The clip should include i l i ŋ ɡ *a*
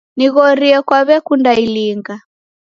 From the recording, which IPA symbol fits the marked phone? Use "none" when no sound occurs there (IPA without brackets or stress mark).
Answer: a